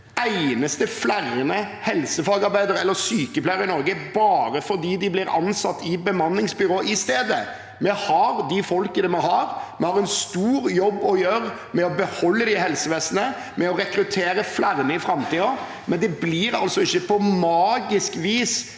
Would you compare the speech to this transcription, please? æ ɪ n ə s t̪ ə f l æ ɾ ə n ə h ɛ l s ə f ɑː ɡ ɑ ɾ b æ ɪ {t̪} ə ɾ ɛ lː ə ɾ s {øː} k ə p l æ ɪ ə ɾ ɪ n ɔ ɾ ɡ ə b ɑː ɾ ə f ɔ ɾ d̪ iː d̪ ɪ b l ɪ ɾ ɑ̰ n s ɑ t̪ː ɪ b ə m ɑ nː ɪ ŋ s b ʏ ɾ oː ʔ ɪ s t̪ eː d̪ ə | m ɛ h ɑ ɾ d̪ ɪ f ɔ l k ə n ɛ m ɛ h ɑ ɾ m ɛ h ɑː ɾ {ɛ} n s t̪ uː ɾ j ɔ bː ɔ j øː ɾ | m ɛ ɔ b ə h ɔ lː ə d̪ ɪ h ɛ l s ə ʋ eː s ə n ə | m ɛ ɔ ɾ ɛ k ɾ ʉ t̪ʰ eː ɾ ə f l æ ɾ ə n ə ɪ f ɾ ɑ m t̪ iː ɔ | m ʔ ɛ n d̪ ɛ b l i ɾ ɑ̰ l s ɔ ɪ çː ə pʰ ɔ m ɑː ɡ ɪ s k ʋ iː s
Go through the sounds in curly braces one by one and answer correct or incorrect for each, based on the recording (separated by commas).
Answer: incorrect, incorrect, correct